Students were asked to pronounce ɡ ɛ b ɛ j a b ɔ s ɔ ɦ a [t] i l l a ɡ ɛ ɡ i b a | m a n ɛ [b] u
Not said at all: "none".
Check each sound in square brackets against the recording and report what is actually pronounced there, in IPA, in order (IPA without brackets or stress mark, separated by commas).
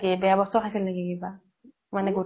s, ɡ